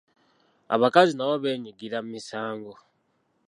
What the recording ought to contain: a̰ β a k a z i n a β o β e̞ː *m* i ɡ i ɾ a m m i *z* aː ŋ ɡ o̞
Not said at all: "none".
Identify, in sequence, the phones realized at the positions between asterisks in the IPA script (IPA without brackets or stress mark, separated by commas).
ɲ, s